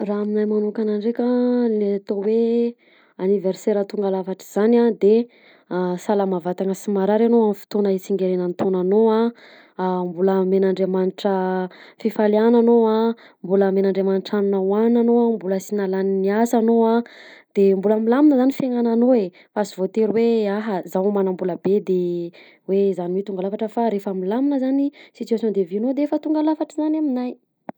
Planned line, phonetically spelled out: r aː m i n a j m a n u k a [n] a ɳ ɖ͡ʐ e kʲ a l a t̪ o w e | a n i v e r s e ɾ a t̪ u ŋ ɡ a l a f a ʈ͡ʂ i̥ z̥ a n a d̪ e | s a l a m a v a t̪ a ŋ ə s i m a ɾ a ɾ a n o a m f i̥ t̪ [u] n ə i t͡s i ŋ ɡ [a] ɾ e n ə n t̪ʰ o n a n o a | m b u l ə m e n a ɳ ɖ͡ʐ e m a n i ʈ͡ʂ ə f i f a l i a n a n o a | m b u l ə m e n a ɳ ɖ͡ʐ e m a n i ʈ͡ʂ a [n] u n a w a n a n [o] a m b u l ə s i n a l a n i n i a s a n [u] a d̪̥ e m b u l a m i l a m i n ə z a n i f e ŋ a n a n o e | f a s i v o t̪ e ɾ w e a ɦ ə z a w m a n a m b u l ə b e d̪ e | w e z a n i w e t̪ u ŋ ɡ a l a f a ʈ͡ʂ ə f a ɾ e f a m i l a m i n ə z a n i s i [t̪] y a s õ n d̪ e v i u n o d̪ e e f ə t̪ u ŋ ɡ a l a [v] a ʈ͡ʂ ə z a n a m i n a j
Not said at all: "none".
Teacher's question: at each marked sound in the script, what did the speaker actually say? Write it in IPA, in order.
n, o, e, n, o, o, t̪, f

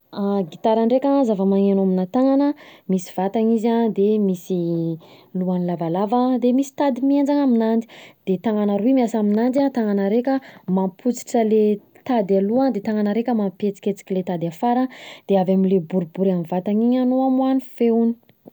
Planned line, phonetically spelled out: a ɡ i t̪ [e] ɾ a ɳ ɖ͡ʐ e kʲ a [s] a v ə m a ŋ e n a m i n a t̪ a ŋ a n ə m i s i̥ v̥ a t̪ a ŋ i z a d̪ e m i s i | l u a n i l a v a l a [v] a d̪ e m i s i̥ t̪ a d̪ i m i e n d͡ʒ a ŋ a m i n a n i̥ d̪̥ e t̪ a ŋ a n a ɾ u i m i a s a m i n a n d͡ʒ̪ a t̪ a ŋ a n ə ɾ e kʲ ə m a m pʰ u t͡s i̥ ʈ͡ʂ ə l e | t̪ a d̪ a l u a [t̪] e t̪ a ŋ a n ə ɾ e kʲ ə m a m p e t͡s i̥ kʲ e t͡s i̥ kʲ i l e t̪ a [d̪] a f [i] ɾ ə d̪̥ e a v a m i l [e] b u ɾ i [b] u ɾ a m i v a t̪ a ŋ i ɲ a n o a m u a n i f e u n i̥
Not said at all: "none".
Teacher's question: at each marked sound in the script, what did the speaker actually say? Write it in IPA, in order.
a, z, v, d̪, d̪, a, e, b

